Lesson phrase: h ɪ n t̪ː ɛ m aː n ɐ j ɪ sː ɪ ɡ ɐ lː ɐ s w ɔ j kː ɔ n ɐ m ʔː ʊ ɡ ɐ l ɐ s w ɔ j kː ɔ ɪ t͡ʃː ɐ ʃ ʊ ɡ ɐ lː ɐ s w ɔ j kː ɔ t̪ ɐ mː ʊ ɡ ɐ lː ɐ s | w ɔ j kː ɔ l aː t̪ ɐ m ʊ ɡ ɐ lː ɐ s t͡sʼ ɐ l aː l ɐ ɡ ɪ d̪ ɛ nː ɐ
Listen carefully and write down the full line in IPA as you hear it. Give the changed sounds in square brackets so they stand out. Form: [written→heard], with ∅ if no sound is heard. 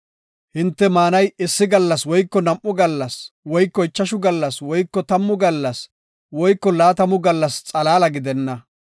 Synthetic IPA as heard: h ɪ n t̪ː ɛ m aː n ɐ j ɪ sː ɪ ɡ ɐ lː ɐ s w ɔ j kː ɔ n ɐ m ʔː ʊ ɡ ɐ [l→lː] ɐ s w ɔ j kː ɔ ɪ t͡ʃː ɐ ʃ ʊ ɡ ɐ lː ɐ s w ɔ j kː ɔ t̪ ɐ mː ʊ ɡ ɐ lː ɐ s | w ɔ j kː ɔ l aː t̪ ɐ m ʊ ɡ ɐ lː ɐ s t͡sʼ ɐ l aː l ɐ ɡ ɪ d̪ ɛ nː ɐ